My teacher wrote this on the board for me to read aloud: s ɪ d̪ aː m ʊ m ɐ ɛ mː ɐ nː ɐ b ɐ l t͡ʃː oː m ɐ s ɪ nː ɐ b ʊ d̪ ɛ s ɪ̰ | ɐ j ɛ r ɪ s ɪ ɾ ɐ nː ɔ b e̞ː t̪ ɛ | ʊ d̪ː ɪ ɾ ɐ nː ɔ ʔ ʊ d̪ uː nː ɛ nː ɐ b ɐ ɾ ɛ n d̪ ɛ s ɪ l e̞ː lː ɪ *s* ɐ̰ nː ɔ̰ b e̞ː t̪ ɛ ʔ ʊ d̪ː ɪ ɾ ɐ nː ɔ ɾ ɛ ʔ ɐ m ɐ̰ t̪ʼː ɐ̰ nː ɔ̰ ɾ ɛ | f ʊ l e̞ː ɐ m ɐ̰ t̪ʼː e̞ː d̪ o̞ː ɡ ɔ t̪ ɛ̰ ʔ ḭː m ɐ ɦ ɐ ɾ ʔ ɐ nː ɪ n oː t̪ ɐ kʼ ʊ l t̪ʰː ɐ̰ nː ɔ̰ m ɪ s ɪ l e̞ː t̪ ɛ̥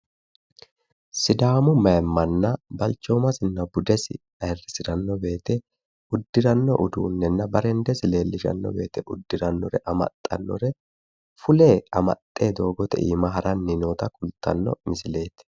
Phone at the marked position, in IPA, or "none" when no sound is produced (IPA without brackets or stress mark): ʃ